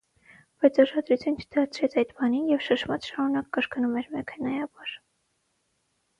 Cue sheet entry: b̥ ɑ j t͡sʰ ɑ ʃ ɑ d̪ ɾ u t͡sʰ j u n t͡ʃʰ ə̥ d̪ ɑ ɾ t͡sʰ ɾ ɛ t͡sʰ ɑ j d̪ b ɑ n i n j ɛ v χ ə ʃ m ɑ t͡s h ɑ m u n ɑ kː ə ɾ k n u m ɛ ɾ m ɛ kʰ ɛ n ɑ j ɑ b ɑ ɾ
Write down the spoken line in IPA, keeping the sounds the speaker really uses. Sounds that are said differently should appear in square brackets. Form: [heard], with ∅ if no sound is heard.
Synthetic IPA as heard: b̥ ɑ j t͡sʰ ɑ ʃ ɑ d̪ ɾ u t͡sʰ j u n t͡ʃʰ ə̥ d̪ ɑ ɾ t͡sʰ ɾ ɛ t͡sʰ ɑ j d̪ b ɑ n i n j ɛ v [ʃ] ə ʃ m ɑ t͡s [ʃ] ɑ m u n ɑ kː ə ɾ k n u m ɛ ɾ m ɛ kʰ ɛ n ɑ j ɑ b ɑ ɾ